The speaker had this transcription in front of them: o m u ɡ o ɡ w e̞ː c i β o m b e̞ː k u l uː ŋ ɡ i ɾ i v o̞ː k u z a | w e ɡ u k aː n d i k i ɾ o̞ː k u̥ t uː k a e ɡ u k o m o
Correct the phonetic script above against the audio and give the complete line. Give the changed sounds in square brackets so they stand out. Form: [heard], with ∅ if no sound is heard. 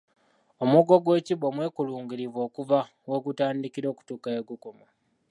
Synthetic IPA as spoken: o m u ɡ o ɡ w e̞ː c i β o m [w] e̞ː k u l uː ŋ ɡ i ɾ i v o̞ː k u [v] a | w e ɡ u [t] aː n d i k i ɾ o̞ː k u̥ t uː k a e ɡ u k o m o

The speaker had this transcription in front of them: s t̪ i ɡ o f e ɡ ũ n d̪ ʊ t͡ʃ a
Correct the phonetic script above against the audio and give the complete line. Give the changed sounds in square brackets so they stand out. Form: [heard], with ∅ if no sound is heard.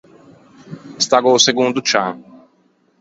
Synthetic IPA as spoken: s t̪ [a] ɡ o [s] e ɡ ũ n d̪ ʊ t͡ʃ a

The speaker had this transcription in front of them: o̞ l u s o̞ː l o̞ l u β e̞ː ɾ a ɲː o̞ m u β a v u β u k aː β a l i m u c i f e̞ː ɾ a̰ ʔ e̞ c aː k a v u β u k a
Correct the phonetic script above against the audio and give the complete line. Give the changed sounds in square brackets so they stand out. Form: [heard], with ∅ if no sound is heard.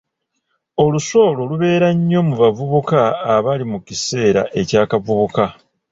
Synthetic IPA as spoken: o̞ l u s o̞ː l o̞ l u β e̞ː ɾ a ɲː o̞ m u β a v u β u k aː β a l i m u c i [s] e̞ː ɾ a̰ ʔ e̞ c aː k a v u β u k a

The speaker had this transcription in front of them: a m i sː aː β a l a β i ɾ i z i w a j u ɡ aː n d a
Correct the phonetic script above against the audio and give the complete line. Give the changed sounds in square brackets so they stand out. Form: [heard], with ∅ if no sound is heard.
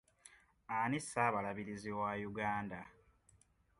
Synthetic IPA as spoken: a [n] i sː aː β a l a β i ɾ i z i w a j u ɡ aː n d a

